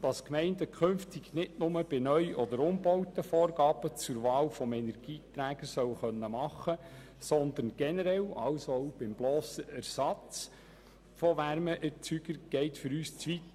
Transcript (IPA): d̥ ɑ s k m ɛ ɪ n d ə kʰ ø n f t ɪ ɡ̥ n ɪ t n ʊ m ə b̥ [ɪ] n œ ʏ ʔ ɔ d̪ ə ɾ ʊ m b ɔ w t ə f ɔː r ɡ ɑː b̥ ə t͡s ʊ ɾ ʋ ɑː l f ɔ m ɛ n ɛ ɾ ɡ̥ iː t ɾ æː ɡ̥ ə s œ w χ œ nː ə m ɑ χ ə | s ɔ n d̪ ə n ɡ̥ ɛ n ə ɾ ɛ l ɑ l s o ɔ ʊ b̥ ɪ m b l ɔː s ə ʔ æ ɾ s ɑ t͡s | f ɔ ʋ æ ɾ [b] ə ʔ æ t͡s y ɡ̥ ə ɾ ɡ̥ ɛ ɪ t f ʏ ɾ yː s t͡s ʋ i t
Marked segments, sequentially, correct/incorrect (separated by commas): correct, incorrect